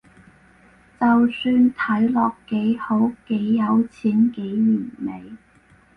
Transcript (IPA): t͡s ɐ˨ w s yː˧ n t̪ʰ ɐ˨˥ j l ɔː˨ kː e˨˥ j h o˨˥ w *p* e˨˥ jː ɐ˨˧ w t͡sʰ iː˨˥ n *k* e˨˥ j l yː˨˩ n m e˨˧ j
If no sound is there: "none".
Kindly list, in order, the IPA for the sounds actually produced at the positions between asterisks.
k, k

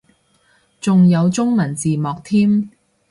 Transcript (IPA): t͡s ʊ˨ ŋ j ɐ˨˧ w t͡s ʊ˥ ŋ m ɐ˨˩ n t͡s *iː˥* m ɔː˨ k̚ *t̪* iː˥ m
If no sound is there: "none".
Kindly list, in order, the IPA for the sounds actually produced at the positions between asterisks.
iː˨, t̪ʰ

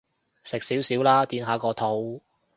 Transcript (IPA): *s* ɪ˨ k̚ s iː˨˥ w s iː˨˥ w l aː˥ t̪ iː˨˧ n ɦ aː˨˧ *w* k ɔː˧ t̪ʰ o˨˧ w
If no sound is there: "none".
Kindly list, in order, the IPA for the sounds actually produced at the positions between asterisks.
s, none

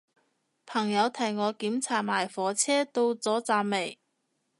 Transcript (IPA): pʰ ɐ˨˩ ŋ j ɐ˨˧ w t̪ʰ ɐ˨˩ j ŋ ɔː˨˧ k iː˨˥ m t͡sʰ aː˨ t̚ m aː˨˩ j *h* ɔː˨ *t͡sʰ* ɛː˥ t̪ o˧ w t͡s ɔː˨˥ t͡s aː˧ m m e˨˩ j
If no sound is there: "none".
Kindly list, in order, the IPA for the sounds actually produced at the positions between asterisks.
f, t͡sʰ

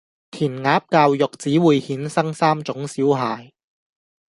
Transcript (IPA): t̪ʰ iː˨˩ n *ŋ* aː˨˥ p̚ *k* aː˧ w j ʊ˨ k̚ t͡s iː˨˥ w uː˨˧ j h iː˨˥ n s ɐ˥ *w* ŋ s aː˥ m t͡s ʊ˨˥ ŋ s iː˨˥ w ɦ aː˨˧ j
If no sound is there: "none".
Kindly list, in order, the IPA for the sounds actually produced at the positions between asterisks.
ŋ, k, none

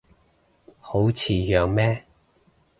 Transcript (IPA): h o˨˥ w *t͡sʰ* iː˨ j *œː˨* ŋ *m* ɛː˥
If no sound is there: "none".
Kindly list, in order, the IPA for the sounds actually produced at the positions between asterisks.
t͡sʰ, œː˨, m

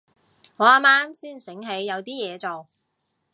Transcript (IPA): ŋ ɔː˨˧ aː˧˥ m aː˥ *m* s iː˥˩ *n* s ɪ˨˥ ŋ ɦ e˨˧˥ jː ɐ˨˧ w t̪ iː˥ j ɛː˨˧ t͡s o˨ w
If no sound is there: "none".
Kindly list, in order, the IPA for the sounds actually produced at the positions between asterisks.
m, n

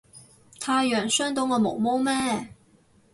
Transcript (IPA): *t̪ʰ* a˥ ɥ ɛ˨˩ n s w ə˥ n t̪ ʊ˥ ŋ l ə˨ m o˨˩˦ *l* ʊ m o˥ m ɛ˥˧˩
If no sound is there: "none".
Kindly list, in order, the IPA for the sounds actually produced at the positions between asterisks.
t̪ʰ, none

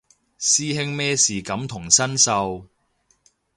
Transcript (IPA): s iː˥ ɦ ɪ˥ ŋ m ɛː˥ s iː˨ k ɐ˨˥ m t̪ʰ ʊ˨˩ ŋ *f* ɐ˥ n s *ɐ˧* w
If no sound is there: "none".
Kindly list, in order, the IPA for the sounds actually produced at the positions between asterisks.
s, ɐ˧

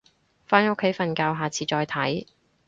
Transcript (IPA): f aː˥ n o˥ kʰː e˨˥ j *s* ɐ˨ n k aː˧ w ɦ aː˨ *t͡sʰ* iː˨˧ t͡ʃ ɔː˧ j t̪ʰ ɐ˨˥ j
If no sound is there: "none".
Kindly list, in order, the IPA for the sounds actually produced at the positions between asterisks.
f, t͡sʰ

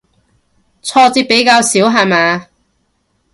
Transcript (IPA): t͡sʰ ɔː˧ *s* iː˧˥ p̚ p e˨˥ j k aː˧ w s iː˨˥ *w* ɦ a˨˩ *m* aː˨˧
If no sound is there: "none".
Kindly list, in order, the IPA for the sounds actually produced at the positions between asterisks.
t͡s, w, m

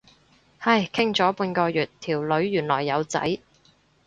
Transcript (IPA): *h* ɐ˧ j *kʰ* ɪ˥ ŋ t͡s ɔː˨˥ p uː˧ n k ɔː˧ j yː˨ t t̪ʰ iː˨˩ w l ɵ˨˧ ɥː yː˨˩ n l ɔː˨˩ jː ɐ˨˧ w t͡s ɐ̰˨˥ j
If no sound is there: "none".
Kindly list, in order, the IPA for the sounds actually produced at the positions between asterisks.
h, kʰ

